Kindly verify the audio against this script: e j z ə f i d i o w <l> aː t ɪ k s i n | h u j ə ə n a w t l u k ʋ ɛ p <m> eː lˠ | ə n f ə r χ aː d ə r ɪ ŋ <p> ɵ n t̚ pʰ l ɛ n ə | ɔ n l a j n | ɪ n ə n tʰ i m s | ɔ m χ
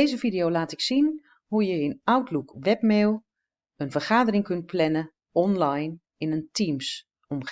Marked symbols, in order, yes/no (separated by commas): yes, yes, no